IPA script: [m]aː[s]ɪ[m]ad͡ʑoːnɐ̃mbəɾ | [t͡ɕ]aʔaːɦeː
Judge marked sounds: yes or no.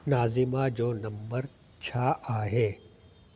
no, no, yes, no

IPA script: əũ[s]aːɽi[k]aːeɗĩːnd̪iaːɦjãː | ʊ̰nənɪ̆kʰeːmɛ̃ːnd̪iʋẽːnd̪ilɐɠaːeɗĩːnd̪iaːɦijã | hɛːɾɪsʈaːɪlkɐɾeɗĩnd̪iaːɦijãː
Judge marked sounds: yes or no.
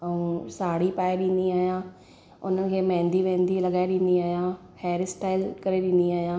yes, no

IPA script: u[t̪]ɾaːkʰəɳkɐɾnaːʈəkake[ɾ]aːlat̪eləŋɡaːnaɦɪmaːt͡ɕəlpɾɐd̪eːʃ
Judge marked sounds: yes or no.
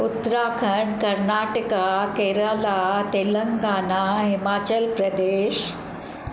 yes, yes

